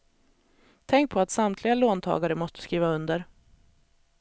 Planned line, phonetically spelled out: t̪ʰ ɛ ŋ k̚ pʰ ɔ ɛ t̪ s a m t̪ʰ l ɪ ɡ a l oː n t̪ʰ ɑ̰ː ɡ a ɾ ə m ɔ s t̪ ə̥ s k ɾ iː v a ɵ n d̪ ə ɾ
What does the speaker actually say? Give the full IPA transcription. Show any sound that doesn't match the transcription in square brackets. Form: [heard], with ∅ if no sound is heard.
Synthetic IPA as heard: t̪ʰ ɛ ŋ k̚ pʰ ɔ [a] t̪ s a m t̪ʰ l ɪ ɡ a l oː n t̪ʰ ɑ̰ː ɡ a ɾ ə m ɔ s t̪ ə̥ s k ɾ iː v a ɵ n d̪ ə ɾ

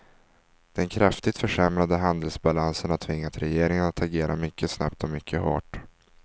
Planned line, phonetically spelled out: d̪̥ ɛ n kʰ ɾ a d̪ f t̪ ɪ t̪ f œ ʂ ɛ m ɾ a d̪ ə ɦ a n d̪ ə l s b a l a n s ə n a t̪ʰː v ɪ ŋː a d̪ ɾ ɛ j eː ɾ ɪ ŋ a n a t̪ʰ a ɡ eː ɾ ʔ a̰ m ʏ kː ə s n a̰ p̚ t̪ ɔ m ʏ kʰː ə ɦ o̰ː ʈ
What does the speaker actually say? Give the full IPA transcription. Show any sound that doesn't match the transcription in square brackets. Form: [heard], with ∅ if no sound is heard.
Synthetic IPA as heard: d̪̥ ɛ n kʰ ɾ a [∅] f t̪ ɪ t̪ f œ ʂ ɛ m ɾ a d̪ ə ɦ a n d̪ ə l s b a l a n s ə n a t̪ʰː v ɪ ŋː a [t̪] ɾ ɛ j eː ɾ ɪ ŋ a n a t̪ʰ a ɡ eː ɾ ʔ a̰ m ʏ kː ə s n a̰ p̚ t̪ ɔ m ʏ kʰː ə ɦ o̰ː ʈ

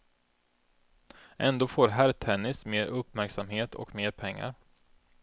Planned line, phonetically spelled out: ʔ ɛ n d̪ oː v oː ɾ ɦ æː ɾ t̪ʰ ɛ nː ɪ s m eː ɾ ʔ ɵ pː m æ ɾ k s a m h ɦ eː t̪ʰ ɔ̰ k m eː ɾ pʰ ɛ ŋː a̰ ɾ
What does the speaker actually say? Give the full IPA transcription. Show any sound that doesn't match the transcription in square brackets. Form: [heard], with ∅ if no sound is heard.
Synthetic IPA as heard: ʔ ɛ n d̪ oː [f] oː ɾ ɦ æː ɾ t̪ʰ ɛ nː ɪ s m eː ɾ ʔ ɵ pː m æ ɾ k s a m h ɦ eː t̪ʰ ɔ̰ k m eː ɾ pʰ ɛ ŋː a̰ ɾ

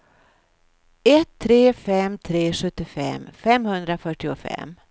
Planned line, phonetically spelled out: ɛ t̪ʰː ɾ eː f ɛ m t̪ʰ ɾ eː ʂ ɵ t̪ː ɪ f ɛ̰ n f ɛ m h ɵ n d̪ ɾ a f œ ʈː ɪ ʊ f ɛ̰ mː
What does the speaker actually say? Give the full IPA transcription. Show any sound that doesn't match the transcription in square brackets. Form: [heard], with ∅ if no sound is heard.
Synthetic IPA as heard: ɛ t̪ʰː ɾ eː f ɛ m t̪ʰ ɾ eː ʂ ɵ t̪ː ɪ f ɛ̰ [m] f ɛ m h ɵ n d̪ ɾ a f œ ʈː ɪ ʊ f ɛ̰ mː

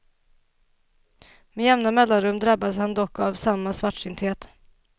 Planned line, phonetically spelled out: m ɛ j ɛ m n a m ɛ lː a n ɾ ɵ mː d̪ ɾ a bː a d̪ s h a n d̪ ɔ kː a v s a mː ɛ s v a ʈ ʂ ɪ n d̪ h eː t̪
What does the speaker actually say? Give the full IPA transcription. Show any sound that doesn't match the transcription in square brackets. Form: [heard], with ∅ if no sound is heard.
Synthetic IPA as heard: m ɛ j ɛ m n a m ɛ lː a n ɾ ɵ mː d̪ ɾ a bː a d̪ s h a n d̪ ɔ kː a v s a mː [a] s v a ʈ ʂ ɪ n [t̪] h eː t̪

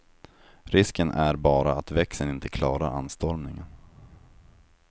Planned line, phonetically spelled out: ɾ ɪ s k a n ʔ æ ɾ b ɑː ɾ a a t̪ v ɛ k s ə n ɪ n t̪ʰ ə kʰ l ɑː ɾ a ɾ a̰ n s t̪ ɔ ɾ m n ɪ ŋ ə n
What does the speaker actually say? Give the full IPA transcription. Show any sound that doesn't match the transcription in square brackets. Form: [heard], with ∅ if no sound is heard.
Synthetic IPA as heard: ɾ ɪ s k [ə] n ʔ æ ɾ b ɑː ɾ a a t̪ v ɛ k s ə n ɪ n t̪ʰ ə kʰ l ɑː ɾ a ɾ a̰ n s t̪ ɔ ɾ m n ɪ ŋ ə n

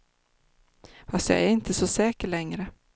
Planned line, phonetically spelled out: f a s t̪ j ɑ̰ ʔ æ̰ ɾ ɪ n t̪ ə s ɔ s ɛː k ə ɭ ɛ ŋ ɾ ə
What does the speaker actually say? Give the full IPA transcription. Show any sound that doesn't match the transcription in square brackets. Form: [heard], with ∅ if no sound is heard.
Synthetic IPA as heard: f a s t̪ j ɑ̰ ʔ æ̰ ɾ ɪ n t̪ ə s ɔ s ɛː k ə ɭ ɛ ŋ ɾ ə

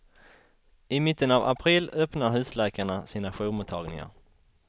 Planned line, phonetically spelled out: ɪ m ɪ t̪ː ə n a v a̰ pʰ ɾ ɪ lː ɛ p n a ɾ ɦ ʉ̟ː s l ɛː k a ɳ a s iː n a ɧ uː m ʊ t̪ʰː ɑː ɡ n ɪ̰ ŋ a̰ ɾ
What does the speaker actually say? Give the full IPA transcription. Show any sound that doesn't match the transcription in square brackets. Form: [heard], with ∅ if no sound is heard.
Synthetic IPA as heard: ɪ m ɪ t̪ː ə n a v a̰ pʰ ɾ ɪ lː [œ] p n a ɾ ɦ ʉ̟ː s l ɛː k a ɳ a s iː n a ɧ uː m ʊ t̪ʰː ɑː ɡ n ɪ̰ ŋ a̰ ɾ

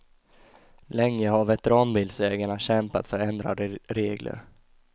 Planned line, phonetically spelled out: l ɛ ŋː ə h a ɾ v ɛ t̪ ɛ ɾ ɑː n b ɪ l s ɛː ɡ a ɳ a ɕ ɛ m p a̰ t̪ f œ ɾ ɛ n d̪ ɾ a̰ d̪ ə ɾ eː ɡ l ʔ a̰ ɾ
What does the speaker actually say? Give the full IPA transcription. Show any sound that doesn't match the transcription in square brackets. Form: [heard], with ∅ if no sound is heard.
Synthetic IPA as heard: l ɛ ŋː ə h a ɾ v ɛ t̪ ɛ ɾ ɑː n b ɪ l s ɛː ɡ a ɳ a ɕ ɛ m p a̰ t̪ f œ ɾ ɛ n d̪ ɾ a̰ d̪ ə ɾ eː ɡ l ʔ [ə̰] ɾ

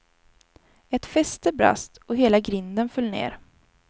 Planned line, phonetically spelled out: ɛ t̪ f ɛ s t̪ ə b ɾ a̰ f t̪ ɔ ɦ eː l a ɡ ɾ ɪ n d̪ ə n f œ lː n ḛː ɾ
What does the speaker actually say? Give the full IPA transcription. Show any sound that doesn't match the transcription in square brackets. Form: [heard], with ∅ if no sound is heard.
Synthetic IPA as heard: ɛ t̪ f ɛ s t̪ ə b ɾ a̰ [s] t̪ ɔ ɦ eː l a ɡ ɾ ɪ n d̪ ə n f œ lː n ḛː ɾ

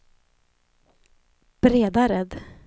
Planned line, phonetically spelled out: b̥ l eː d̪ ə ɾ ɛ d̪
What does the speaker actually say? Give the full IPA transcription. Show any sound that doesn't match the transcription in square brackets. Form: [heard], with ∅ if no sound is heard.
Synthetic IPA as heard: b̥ [ɾ] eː d̪ [a] ɾ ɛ d̪

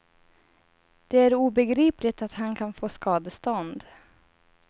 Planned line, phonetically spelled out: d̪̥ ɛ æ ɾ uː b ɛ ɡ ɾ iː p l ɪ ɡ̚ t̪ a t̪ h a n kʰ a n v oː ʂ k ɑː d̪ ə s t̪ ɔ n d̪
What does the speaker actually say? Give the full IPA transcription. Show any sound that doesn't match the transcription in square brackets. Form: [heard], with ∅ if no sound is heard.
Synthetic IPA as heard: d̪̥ ɛ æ ɾ uː b ɛ ɡ ɾ iː p l ɪ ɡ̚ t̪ a t̪ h a n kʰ a n [f] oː [s] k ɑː d̪ ə s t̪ ɔ n d̪

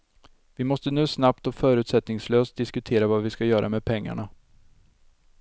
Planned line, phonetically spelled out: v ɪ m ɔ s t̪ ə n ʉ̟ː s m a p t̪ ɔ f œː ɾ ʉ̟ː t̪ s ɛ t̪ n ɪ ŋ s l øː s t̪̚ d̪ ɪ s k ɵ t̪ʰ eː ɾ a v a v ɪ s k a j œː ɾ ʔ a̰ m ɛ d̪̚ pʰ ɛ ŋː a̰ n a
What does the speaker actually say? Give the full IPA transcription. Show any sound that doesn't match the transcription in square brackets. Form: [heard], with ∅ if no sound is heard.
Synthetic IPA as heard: v ɪ m ɔ s t̪ ə n ʉ̟ː s [n] a p t̪ ɔ f œː ɾ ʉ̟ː t̪ s ɛ t̪ n ɪ ŋ s l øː s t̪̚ d̪ ɪ s k ɵ t̪ʰ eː ɾ a v a v ɪ s k a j œː ɾ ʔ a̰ m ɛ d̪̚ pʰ ɛ ŋː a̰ [ɳ] a

